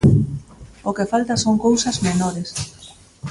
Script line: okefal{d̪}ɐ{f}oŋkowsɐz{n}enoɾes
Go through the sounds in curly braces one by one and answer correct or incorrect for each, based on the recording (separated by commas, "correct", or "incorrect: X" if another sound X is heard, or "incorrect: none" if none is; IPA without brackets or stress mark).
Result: incorrect: t̪, incorrect: s, incorrect: m